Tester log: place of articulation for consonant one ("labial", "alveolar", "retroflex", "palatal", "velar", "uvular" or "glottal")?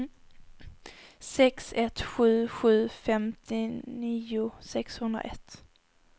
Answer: alveolar